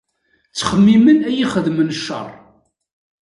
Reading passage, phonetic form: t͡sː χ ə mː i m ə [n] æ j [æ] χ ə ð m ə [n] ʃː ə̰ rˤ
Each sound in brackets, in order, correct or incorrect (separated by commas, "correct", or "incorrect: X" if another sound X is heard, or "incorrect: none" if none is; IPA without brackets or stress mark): correct, incorrect: i, correct